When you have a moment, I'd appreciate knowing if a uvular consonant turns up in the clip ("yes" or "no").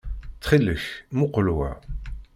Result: yes